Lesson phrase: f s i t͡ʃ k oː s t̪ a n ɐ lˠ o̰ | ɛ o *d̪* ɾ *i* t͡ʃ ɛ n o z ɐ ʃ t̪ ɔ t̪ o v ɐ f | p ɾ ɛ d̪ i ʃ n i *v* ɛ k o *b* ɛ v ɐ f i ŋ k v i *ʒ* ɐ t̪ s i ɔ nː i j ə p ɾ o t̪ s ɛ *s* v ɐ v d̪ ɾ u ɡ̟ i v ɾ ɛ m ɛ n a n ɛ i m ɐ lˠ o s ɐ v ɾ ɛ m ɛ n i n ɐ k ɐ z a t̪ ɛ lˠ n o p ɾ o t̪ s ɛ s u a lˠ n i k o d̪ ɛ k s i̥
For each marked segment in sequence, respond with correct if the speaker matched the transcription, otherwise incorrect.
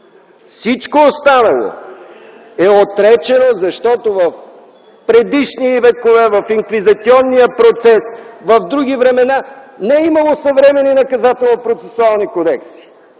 incorrect: t̪, incorrect: ɛ, correct, incorrect: v, incorrect: z, correct

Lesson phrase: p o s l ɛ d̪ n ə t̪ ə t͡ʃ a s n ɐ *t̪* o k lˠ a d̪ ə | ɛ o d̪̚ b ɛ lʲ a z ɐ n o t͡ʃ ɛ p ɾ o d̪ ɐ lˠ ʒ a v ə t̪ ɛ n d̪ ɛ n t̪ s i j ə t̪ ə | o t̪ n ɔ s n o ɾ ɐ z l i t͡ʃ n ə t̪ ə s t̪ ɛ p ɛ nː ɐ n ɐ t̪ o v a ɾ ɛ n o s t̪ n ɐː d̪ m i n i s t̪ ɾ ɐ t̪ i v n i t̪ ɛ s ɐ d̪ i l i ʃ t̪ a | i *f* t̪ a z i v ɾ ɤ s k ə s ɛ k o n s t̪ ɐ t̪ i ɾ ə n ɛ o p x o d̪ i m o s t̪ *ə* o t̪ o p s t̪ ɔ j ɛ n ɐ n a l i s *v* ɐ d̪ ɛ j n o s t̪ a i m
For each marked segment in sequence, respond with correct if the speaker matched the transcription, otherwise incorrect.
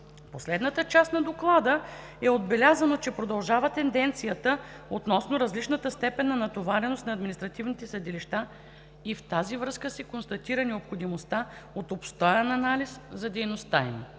incorrect: d̪, correct, incorrect: a, incorrect: z

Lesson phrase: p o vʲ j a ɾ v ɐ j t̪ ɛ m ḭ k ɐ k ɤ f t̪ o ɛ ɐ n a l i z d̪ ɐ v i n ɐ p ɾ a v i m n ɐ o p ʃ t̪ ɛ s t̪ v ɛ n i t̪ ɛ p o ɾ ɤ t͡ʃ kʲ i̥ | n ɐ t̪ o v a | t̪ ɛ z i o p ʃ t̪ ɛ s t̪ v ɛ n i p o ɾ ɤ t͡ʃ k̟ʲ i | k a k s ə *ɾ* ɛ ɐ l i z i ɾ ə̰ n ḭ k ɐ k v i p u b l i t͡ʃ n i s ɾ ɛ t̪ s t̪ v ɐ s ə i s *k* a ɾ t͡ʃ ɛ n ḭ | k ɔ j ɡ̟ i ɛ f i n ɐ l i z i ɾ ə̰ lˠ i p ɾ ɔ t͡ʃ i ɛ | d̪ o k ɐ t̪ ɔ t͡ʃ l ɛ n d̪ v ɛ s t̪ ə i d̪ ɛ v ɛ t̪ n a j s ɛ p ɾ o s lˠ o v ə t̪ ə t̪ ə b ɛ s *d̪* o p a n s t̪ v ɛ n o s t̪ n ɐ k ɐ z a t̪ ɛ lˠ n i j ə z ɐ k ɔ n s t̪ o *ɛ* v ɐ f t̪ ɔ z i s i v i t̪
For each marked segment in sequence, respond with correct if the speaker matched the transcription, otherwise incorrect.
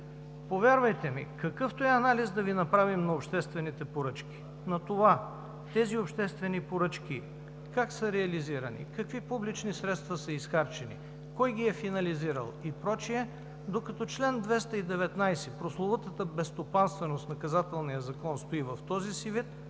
correct, incorrect: x, incorrect: t̪, incorrect: i

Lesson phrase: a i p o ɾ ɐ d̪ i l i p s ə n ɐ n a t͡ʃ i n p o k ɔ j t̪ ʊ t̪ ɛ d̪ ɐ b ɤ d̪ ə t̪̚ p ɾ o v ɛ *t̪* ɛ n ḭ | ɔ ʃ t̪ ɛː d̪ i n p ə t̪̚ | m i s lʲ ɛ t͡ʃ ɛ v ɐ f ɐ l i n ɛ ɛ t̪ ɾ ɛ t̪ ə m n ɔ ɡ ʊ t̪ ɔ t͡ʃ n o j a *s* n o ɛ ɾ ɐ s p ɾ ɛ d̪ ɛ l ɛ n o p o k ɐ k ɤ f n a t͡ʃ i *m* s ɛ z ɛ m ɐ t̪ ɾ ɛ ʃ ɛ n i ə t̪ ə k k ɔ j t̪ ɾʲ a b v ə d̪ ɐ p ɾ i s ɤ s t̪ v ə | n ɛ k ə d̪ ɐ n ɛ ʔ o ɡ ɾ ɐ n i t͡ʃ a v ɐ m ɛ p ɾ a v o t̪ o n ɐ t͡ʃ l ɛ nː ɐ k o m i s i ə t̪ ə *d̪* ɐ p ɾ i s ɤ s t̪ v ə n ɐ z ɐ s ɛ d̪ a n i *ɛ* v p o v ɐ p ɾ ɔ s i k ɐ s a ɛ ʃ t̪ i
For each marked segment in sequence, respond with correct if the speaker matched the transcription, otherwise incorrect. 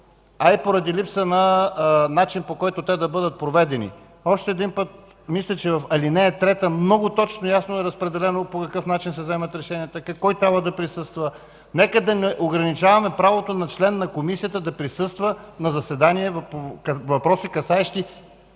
incorrect: d̪, correct, incorrect: n, correct, correct

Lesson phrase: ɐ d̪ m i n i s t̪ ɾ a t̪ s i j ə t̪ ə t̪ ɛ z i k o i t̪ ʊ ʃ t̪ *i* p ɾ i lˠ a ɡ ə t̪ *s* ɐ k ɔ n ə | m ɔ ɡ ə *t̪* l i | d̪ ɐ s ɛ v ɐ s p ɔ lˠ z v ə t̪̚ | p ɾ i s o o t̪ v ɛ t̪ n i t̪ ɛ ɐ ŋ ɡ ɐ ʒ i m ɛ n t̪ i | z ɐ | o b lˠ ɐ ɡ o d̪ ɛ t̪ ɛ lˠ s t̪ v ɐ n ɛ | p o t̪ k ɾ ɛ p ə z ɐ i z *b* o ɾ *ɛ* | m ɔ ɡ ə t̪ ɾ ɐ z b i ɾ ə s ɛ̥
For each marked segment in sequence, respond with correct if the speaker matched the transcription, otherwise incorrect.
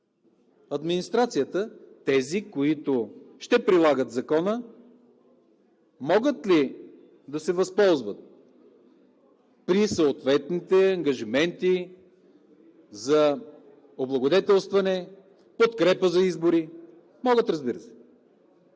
incorrect: ɛ, incorrect: z, correct, correct, incorrect: i

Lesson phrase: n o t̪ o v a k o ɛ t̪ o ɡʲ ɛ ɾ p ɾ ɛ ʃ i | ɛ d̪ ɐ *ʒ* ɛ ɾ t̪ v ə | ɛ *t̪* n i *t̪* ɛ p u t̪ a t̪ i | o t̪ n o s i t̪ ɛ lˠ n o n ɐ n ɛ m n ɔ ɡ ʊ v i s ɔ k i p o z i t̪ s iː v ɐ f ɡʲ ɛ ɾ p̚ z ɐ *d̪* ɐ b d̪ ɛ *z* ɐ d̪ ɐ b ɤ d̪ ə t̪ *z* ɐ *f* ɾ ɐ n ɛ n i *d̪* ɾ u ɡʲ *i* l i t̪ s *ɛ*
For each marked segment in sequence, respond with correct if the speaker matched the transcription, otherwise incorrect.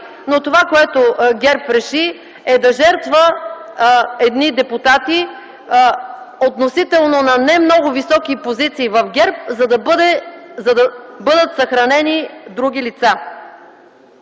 correct, incorrect: d̪, incorrect: d̪, correct, correct, incorrect: s, incorrect: x, correct, correct, incorrect: a

